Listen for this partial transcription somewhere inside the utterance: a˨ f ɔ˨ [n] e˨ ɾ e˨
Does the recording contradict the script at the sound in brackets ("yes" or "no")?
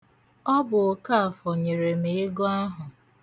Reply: yes